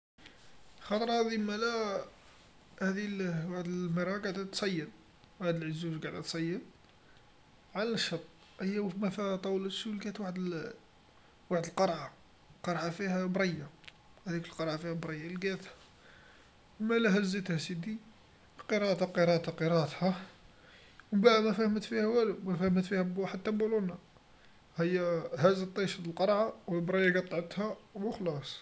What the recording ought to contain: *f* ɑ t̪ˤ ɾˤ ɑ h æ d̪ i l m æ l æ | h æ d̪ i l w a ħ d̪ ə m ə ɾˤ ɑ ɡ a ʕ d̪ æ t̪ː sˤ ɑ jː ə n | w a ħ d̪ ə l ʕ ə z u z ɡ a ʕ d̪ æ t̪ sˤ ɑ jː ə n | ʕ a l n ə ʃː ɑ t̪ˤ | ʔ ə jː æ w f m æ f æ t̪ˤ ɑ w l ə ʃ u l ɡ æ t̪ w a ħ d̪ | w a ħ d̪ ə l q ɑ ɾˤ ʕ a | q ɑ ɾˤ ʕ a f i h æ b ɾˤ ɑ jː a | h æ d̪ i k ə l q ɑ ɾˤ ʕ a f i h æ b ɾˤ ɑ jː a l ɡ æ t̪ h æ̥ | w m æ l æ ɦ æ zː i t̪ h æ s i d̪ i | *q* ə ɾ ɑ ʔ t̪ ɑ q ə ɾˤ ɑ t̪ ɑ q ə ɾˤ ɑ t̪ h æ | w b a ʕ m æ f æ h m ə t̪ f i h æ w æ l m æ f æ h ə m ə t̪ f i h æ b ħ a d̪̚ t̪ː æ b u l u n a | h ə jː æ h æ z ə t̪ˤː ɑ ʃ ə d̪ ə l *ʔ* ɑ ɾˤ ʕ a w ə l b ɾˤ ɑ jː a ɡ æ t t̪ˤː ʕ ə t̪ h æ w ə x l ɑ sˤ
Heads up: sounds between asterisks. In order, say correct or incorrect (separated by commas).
incorrect, correct, incorrect